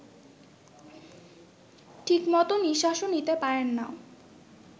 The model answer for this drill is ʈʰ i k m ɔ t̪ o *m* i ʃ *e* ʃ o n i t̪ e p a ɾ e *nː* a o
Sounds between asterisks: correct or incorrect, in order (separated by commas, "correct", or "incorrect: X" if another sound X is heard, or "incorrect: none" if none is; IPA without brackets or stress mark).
incorrect: n, incorrect: a, correct